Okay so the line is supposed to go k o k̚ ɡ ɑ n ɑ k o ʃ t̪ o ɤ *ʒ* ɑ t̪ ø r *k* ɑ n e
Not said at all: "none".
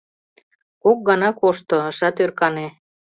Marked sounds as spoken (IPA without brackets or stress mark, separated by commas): ʃ, k